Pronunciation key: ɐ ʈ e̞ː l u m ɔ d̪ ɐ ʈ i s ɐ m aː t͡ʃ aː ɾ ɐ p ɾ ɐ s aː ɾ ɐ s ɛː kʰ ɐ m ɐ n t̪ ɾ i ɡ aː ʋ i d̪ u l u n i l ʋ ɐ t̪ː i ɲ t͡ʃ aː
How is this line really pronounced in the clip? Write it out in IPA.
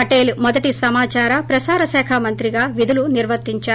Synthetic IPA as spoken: ɐ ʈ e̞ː l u m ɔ d̪ ɐ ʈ i s ɐ m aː t͡ʃ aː ɾ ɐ p ɾ ɐ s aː ɾ ɐ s ɛː kʰ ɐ m ɐ n t̪ ɾ i ɡ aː ʋ i d̪ u l u n i ɾ ʋ ɐ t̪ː i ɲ t͡ʃ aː

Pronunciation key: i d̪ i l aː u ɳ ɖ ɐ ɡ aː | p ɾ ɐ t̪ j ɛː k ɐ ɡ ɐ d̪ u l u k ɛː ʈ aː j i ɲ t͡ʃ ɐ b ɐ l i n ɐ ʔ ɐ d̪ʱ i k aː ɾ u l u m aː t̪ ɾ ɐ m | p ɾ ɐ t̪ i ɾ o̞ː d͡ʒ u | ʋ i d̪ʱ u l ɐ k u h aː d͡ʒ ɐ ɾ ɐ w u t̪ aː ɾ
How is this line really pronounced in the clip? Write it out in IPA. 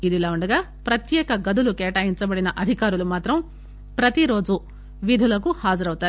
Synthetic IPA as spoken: i d̪ i l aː u ɳ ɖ ɐ ɡ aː | p ɾ ɐ t̪ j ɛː k ɐ ɡ ɐ d̪ u l u k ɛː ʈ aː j i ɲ t͡ʃ ɐ b ɐ ɽ i n ɐ ʔ ɐ d̪ʱ i k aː ɾ u l u m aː t̪ ɾ ɐ m | p ɾ ɐ t̪ i ɾ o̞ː d͡ʒ u | ʋ i d̪ʱ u l ɐ k u h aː d͡ʒ ɐ ɾ ɐ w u t̪ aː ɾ

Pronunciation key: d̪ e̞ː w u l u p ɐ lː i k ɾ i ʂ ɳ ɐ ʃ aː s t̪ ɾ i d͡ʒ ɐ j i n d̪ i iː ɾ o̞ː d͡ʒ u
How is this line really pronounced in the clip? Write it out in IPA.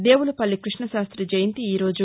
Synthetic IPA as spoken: d̪ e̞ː w u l u p ɐ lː i k ɾ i ʂ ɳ ɐ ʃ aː s t̪ ɾ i d͡ʒ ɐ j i n t̪ i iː ɾ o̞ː d͡ʒ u

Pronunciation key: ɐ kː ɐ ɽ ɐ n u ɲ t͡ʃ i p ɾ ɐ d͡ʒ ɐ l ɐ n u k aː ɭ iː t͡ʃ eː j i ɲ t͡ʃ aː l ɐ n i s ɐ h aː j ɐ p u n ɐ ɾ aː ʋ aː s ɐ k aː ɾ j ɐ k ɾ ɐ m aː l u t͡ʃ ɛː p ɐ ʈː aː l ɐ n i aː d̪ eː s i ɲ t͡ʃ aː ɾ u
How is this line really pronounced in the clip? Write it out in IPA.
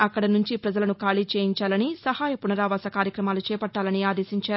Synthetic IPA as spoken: ɐ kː ɐ ɽ ɐ n u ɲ t͡ʃ i p ɾ ɐ d͡ʒ ɐ l ɐ n u k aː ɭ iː t͡ʃ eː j i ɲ t͡ʃ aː l ɐ n i s ɐ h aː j ɐ p u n ɐ ɾ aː ʋ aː s ɐ k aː ɾ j ɐ k ɾ ɐ m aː l u t͡ʃ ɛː p ɐ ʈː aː l ɐ n i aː d̪ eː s i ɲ t͡ʃ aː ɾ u

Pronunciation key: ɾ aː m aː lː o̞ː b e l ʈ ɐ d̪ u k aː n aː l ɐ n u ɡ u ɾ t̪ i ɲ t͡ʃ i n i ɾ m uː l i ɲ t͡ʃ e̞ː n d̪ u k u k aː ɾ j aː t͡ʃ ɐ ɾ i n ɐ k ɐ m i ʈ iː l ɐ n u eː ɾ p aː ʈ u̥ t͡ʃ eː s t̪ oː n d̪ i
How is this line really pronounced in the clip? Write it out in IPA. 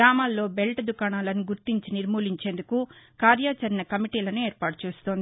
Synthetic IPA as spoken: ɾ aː m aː lː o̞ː b e l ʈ ɐ d̪ u k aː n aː l ɐ n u ɡ u ɾ t̪ i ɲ t͡ʃ i n i ɾ m uː l i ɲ t͡ʃ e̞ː n d̪ u k u k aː ɾ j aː t͡ʃ ɐ ɾ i n ɐ k ɐ m i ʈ iː l ɐ n u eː ɾ p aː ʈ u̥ t͡ʃ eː s t̪ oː n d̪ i

